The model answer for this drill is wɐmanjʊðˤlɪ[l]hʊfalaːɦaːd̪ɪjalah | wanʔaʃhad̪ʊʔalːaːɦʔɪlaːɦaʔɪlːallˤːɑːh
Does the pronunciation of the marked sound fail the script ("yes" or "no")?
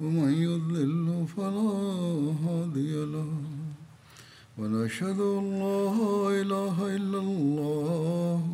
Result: no